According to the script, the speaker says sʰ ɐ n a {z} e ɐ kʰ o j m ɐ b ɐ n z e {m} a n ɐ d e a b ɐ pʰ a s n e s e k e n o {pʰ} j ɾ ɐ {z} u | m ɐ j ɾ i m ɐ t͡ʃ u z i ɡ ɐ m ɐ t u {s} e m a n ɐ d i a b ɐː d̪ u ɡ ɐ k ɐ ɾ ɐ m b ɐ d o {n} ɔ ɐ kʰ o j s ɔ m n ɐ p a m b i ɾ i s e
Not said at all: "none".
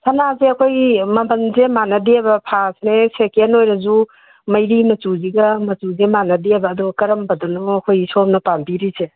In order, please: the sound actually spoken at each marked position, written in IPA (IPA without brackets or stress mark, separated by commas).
z, m, none, z, z, n